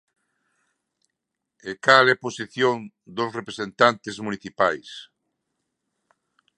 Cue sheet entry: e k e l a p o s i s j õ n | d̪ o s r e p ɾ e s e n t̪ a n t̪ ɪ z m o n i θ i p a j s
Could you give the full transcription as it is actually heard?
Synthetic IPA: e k a l ɛ p o s i θ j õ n | d̪ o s r e p ɾ e s e n t̪ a n t̪ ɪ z m u n i θ i p a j s